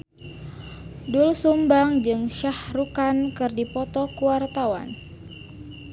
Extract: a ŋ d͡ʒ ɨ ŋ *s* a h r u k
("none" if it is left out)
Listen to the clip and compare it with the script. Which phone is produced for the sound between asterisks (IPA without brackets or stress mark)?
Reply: ʃ